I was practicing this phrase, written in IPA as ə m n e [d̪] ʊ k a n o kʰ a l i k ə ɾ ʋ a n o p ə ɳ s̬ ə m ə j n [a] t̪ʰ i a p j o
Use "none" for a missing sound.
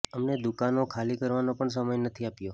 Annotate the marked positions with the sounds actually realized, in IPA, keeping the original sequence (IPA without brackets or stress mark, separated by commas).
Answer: d̪, ə